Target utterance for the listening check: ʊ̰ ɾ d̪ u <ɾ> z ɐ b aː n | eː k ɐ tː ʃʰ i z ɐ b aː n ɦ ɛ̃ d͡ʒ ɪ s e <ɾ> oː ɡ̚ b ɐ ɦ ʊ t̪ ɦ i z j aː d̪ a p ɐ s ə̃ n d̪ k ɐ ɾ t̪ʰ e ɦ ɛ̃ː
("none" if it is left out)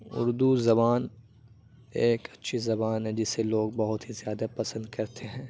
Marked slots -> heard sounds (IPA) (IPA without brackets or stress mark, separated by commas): none, l